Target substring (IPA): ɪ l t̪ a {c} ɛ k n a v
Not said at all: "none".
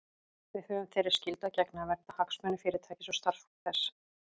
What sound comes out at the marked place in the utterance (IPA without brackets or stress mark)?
c